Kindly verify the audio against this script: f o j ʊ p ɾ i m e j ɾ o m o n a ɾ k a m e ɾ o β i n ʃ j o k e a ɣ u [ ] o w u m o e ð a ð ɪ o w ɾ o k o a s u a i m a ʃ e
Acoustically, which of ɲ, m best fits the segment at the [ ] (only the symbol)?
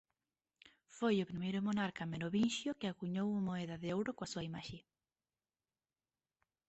ɲ